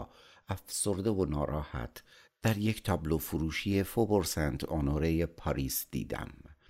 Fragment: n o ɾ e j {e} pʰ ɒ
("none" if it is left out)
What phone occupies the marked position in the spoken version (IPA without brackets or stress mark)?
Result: e